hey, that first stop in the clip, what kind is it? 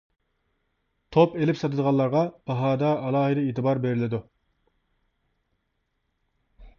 aspirated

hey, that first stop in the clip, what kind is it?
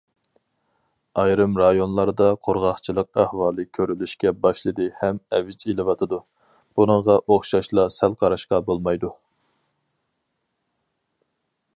plain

